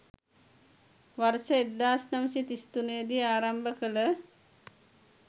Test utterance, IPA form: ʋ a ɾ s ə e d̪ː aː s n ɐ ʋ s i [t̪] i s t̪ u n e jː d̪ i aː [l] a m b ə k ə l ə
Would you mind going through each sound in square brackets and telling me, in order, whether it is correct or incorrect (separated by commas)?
correct, incorrect